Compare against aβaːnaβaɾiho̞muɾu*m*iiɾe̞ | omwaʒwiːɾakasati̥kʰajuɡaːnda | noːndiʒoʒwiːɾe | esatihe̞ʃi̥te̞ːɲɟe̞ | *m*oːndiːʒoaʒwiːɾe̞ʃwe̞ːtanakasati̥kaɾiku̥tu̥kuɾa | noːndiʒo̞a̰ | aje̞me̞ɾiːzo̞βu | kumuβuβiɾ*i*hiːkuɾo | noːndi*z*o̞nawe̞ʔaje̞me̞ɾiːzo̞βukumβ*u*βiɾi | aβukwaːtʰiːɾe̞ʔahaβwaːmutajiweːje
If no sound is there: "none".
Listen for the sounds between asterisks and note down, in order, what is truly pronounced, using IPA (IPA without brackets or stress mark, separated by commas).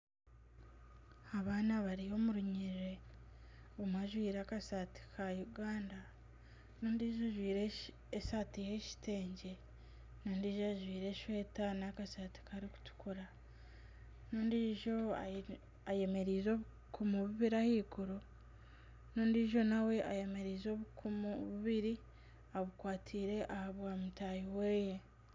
ɲ, n, a, ʒ, u